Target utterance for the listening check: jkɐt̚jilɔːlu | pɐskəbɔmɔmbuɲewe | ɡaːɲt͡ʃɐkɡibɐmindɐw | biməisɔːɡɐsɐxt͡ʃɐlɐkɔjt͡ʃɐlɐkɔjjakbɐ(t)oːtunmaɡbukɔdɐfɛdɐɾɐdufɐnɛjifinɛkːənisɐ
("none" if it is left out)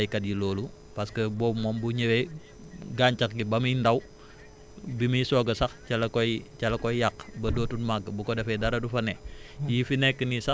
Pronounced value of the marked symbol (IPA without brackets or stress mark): d